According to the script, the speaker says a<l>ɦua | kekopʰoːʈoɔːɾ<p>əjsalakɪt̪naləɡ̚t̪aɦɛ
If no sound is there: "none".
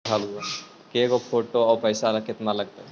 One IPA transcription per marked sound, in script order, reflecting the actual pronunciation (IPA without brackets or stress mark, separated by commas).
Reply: l, p